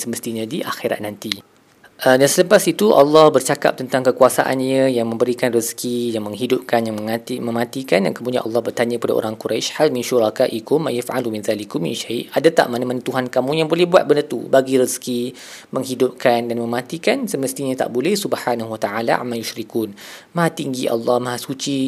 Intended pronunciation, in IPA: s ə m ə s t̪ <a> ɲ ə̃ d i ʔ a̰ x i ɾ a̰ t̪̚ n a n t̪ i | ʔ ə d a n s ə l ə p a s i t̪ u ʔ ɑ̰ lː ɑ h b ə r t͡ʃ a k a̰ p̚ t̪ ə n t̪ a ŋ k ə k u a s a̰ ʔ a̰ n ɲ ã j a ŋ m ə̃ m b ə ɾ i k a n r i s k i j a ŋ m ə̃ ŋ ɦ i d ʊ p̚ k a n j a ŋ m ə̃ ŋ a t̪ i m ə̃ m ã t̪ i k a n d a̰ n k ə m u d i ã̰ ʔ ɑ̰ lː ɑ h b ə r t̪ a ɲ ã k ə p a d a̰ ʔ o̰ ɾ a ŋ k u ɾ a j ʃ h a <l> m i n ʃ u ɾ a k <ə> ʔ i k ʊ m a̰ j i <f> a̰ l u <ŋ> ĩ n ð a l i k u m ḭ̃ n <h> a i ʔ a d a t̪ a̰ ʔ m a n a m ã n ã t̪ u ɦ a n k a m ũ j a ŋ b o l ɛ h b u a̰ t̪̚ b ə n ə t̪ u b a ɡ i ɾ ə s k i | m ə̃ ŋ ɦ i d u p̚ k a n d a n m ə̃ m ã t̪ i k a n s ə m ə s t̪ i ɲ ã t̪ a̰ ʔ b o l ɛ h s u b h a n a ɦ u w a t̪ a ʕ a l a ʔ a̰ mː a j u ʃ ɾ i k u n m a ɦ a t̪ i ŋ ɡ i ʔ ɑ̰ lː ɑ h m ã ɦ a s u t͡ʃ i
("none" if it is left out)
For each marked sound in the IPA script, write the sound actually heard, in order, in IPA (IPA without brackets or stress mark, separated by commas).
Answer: i, l, a, f, m, ʃ